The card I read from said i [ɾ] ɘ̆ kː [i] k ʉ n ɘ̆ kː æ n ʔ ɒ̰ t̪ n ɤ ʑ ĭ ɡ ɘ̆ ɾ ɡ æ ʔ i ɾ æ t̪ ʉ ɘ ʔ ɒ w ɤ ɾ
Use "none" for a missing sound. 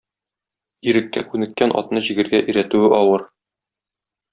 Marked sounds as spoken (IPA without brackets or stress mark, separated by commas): ɾ, æ